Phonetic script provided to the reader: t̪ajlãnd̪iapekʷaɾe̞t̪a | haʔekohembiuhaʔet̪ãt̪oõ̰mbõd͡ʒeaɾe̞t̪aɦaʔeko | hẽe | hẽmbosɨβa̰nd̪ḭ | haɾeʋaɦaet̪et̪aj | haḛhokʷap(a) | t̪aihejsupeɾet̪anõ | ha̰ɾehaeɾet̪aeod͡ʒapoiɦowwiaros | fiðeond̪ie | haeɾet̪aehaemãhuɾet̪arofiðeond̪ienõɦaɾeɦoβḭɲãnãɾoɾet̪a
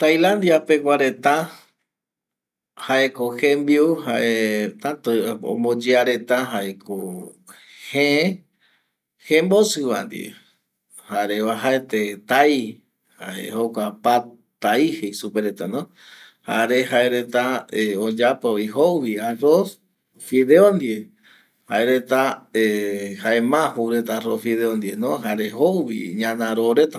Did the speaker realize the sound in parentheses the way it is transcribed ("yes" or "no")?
yes